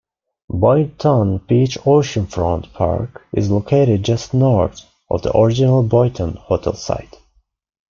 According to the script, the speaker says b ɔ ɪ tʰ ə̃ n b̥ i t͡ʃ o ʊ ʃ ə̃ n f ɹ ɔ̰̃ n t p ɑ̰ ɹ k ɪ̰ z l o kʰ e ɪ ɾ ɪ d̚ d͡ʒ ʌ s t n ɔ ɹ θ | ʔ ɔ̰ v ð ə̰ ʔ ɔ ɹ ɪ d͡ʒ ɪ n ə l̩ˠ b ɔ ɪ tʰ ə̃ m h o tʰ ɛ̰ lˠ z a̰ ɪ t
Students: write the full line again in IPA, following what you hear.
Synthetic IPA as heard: b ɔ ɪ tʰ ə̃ n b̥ i t͡ʃ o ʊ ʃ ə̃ n f ɹ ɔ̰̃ n t pʰ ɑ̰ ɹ k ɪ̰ z l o kʰ e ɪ ɾ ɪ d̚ d͡ʒ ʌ s t n ɔ ɹ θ | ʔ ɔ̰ v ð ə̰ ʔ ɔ ɹ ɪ d͡ʒ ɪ n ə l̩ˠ b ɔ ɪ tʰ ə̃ n h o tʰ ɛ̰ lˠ s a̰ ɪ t